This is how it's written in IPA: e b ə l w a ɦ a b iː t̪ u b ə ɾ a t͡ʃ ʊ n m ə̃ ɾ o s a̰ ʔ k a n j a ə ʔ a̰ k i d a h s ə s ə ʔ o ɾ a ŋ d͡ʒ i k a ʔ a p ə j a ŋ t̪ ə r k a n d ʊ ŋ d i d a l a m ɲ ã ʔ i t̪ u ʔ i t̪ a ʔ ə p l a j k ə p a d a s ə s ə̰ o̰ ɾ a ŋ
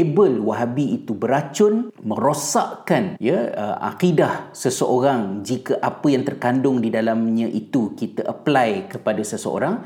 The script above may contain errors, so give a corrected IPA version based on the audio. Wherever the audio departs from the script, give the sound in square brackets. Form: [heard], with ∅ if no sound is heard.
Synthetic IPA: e b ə l w a ɦ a b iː t̪ u b ə ɾ a t͡ʃ ʊ n m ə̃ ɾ o s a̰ ʔ k a n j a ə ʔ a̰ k i d a h s ə s ə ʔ o ɾ a ŋ d͡ʒ i k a ʔ a p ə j a ŋ t̪ ə r k a n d ʊ ŋ d i d a l a m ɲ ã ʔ i t̪ u [k] i t̪ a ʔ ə p l a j k ə p a d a s ə s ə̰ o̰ ɾ a ŋ